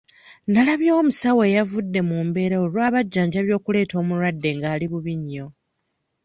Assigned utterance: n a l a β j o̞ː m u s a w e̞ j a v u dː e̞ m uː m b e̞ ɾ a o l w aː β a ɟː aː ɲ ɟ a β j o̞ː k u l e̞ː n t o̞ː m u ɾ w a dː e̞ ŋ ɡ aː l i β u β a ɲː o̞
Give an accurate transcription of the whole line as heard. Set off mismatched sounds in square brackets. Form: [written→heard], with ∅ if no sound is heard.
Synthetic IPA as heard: n a l a β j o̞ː m u s a w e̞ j a v u dː e̞ m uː m b e̞ ɾ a o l w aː β a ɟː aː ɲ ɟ a β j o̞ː k u l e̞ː [n→∅] t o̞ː m u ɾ w a dː e̞ ŋ ɡ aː l i β u β [a→i] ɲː o̞